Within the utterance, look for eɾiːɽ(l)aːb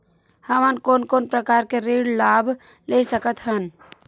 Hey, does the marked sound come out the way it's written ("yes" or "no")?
yes